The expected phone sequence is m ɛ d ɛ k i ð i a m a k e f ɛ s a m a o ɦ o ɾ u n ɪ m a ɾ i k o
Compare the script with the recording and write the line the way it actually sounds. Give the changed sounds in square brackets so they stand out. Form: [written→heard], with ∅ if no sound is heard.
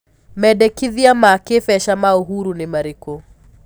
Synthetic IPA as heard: m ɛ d ɛ k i ð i a m a k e f ɛ [s→ʃ] a m a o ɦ [o→u] ɾ u n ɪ m a ɾ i k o

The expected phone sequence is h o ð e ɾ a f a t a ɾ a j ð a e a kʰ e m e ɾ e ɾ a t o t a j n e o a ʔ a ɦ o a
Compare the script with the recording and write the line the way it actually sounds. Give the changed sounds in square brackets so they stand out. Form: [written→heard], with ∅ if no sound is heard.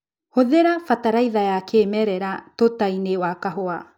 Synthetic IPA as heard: h o ð e ɾ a f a t a ɾ a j ð a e a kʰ e m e ɾ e ɾ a t o t a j n e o a [ʔ→k] a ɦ o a

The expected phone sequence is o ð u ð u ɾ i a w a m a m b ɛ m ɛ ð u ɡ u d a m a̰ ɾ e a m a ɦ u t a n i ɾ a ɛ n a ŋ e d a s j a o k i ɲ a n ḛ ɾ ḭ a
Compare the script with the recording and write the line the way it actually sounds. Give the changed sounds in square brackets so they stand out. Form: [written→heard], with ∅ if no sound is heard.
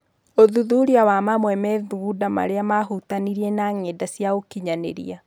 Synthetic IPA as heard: o ð u ð u ɾ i a w a m a m [b→w] ɛ m ɛ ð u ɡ u d a m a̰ ɾ e a m a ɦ u t a n i ɾ [a→i] ɛ n a ŋ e d a s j a o k i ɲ a n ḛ ɾ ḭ a

